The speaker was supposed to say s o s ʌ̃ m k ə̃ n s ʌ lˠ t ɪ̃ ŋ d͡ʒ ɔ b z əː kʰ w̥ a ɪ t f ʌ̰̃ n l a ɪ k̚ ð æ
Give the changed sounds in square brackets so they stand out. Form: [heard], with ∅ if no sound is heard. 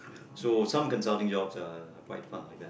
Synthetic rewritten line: s o s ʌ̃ m k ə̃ n s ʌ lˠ t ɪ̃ ŋ d͡ʒ ɔ b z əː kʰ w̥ a ɪ t f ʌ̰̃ n l a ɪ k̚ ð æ